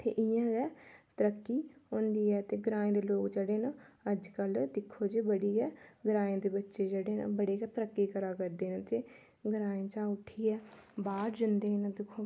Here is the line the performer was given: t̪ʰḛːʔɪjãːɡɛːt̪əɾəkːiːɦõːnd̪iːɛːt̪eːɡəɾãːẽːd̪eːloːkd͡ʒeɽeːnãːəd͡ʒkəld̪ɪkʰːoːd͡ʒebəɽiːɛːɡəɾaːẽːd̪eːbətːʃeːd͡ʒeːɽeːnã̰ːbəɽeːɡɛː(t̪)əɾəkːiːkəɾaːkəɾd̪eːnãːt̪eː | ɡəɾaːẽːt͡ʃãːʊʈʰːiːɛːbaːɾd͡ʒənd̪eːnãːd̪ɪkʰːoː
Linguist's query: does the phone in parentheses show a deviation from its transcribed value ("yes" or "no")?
no